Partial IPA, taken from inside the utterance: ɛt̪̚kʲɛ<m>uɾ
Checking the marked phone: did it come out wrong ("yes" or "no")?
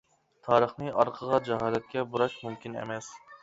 yes